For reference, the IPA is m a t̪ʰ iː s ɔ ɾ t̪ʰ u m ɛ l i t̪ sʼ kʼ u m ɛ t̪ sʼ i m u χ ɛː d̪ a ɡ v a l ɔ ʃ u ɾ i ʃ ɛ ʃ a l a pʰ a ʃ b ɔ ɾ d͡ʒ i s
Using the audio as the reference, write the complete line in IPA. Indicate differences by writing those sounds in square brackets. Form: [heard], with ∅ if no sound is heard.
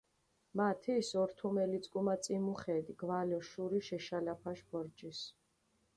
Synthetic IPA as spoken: m a t̪ʰ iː s ɔ ɾ t̪ʰ u m ɛ l i t̪ sʼ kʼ u m [a] t̪ sʼ i m u χ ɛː d̪ [i] ɡ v a l ɔ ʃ u ɾ i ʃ ɛ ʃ a l a pʰ a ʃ b ɔ ɾ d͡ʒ i s